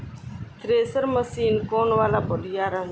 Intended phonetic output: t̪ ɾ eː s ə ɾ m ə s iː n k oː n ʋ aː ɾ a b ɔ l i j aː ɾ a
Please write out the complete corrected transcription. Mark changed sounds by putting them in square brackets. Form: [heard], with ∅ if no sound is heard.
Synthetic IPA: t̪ ɾ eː s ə ɾ m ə s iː n k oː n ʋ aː [l] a b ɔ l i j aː ɾ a